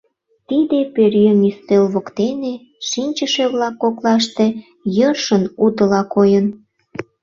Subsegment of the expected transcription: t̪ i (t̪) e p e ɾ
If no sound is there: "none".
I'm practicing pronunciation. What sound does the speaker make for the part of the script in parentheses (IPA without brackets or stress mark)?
d̪